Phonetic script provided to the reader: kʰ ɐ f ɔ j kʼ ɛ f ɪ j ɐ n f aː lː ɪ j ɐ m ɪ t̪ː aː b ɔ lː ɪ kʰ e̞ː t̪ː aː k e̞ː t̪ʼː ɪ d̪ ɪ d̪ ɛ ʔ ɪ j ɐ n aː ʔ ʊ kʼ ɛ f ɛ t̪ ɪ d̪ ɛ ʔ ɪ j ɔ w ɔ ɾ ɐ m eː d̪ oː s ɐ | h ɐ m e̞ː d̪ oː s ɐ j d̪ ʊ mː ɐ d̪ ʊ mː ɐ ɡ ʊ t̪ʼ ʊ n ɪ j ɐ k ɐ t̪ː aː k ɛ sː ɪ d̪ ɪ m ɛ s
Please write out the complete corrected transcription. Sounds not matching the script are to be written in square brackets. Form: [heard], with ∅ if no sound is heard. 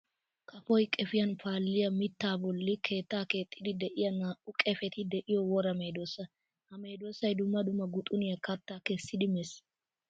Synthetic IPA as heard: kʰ ɐ f ɔ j kʼ ɛ f ɪ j ɐ n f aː lː ɪ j ɐ m ɪ t̪ː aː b ɔ lː ɪ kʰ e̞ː t̪ː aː k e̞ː t̪ʼː ɪ d̪ ɪ d̪ ɛ ʔ ɪ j ɐ n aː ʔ ʊ kʼ ɛ f ɛ t̪ ɪ d̪ ɛ ʔ ɪ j ɔ w ɔ ɾ ɐ m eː d̪ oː s ɐ | h ɐ m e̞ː d̪ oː s ɐ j d̪ ʊ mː ɐ d̪ ʊ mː ɐ ɡ ʊ t̪ʼ ʊ n ɪ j ɐ k ɐ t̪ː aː k ɛ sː ɪ d̪ ɪ m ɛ s

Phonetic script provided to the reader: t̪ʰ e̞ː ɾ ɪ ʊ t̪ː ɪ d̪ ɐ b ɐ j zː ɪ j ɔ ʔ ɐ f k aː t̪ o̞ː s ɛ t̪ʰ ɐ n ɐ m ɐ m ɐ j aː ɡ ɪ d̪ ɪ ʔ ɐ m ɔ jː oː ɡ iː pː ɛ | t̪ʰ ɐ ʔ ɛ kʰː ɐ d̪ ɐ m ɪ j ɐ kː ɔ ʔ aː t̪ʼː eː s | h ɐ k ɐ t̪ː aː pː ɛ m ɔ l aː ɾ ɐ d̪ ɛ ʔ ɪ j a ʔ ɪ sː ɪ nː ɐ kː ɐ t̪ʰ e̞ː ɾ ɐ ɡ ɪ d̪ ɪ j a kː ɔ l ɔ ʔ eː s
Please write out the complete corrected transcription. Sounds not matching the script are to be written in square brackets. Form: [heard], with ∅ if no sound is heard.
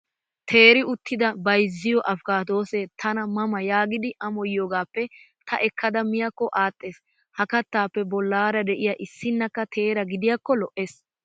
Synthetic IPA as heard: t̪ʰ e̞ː ɾ ɪ ʊ t̪ː ɪ d̪ ɐ b ɐ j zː ɪ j ɔ ʔ ɐ f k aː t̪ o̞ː s ɛ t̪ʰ ɐ n ɐ m ɐ m ɐ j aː ɡ ɪ d̪ ɪ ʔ ɐ m ɔ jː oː ɡ [aː] pː ɛ | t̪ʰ ɐ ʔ ɛ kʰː ɐ d̪ ɐ m ɪ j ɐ kː ɔ ʔ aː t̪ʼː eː s | h ɐ k ɐ t̪ː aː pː ɛ [b] ɔ [lː] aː ɾ ɐ d̪ ɛ ʔ ɪ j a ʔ ɪ sː ɪ nː ɐ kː ɐ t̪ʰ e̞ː ɾ ɐ ɡ ɪ d̪ ɪ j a kː ɔ l ɔ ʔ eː s

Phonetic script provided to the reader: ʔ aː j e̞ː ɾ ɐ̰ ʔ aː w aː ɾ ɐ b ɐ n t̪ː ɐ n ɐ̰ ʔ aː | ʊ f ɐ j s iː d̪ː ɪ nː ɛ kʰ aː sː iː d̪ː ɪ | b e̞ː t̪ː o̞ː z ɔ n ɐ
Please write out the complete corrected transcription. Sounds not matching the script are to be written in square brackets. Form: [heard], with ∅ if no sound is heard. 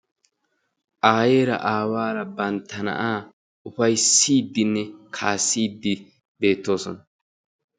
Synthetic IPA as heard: ʔ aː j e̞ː ɾ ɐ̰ ʔ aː w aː ɾ ɐ b ɐ n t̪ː ɐ n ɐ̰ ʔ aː | ʊ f ɐ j s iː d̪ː ɪ nː ɛ kʰ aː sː iː d̪ː ɪ | b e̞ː t̪ː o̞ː [s] ɔ n ɐ

